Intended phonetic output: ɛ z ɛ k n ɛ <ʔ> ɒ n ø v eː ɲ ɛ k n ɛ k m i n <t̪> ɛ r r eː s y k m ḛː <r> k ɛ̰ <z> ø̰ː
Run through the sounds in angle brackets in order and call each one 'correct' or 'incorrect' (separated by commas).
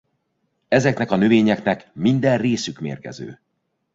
incorrect, incorrect, correct, correct